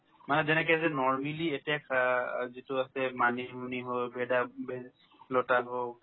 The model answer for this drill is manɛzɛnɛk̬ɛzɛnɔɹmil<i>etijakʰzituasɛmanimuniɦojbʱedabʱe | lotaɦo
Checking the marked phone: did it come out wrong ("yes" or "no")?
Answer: no